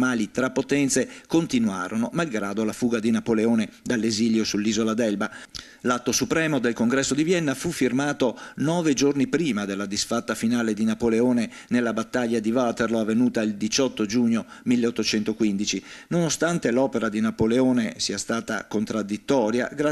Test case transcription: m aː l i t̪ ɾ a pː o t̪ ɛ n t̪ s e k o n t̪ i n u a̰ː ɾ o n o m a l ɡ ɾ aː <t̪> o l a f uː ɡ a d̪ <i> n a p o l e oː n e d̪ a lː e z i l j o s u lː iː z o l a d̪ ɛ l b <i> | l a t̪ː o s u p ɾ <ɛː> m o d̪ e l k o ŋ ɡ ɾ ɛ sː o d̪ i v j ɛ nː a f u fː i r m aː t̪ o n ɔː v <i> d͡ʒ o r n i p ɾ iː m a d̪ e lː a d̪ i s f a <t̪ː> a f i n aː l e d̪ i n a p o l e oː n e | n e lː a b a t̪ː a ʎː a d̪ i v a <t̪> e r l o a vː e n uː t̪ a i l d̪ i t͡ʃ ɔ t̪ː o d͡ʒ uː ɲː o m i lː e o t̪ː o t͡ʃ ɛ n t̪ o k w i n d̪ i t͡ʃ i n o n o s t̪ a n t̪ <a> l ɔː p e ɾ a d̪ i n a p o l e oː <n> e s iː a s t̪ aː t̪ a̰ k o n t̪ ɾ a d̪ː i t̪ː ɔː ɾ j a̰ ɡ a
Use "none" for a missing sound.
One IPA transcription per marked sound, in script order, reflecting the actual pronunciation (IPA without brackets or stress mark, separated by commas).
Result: d̪, i, a, ɛː, e, t̪ː, t̪, e, n